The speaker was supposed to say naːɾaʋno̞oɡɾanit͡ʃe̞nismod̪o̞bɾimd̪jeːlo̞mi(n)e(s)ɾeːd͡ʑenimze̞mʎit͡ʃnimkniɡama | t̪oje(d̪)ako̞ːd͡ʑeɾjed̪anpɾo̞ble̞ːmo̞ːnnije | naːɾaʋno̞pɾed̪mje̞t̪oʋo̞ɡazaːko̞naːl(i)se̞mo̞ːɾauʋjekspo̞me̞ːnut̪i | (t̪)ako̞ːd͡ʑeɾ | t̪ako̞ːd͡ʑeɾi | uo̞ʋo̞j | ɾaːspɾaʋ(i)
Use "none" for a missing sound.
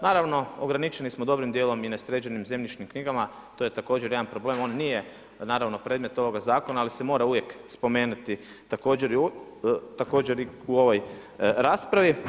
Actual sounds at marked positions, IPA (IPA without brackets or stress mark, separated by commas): n, s, t̪, i, t̪, i